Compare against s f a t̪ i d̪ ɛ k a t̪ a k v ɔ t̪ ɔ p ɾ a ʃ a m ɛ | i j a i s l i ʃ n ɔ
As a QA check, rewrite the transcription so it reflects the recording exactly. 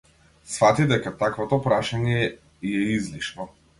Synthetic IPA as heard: s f a t̪ i d̪ ɛ k a t̪ a k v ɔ t̪ ɔ p ɾ a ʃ a ɲ ɛ | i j ɛ i z l i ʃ n ɔ